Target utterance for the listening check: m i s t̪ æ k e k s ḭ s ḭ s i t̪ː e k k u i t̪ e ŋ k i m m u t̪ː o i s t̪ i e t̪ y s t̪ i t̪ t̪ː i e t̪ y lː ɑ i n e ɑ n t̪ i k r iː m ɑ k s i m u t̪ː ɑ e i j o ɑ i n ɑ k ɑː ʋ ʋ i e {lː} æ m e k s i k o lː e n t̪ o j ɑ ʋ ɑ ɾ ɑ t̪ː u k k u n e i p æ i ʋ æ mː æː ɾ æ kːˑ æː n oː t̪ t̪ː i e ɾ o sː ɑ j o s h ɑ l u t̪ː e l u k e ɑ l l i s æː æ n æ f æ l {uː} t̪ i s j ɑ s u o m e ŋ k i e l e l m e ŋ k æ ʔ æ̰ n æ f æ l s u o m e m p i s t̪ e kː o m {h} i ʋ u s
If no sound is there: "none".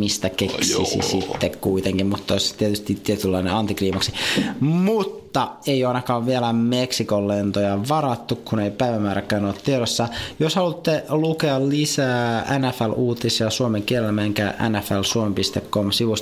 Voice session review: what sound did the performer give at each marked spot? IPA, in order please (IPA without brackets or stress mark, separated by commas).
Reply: l, uː, s